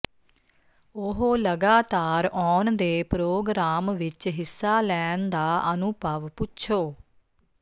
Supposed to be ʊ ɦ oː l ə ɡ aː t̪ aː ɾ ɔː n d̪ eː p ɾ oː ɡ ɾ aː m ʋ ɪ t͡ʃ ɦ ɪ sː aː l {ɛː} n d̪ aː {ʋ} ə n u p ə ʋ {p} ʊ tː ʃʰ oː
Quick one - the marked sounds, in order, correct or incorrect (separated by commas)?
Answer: correct, incorrect, correct